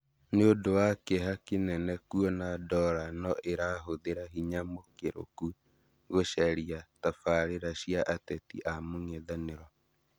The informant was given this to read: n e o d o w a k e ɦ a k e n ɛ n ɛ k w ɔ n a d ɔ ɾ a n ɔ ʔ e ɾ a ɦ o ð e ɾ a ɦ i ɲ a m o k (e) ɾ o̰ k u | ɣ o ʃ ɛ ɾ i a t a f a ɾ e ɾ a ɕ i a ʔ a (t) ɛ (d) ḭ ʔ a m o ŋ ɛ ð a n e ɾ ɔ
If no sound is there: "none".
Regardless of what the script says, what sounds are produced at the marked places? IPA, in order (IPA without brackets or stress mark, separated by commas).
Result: e, t, t